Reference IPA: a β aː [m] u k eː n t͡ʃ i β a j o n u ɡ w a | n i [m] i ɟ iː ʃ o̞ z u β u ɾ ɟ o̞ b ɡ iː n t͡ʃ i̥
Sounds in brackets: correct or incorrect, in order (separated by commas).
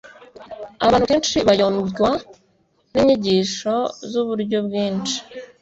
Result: incorrect, incorrect